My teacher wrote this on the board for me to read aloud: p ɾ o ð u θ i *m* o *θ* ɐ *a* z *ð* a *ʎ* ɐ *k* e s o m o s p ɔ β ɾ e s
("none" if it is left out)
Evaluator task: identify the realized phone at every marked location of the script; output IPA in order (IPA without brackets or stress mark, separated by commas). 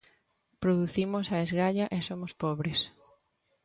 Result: m, s, e, ɣ, ʎ, ʔ